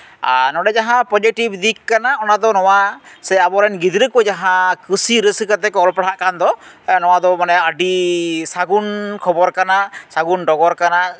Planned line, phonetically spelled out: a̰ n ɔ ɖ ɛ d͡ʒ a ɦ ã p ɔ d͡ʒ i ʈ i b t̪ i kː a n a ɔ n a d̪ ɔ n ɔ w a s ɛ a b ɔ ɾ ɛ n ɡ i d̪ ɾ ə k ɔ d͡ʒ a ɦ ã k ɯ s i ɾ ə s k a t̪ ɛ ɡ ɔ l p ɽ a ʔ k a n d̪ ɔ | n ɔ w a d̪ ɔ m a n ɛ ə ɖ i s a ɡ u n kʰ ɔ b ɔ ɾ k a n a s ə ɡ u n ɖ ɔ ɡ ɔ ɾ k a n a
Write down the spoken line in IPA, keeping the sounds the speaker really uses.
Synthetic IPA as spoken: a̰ n ɔ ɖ ɛ d͡ʒ a ɦ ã p ɔ d͡ʒ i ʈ i b d̪ i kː a n a ɔ n a d̪ ɔ n ɔ w a s ɛ a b ɔ ɾ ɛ n ɡ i d̪ ɾ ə k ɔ d͡ʒ a ɦ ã k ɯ s i ɾ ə s k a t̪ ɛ k ɔ l p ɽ a ʔ k a n d̪ ɔ | n ɔ w a d̪ ɔ m a n ɛ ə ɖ i s a ɡ u n kʰ ɔ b ɔ ɾ k a n a s a ɡ u n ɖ ɔ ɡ ɔ ɾ k a n a